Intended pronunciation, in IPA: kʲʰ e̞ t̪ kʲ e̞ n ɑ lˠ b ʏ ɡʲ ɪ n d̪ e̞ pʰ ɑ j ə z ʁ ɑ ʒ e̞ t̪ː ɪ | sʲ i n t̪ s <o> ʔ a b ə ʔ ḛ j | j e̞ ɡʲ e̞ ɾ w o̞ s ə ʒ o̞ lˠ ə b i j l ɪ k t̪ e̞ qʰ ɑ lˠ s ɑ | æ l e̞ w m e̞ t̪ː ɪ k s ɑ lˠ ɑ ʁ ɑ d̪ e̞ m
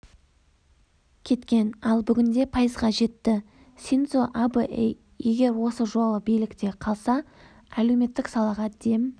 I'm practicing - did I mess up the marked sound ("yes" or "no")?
no